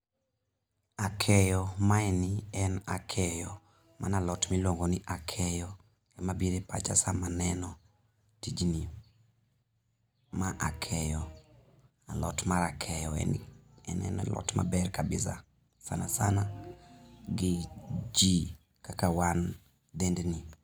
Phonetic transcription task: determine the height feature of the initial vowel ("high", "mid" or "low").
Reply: low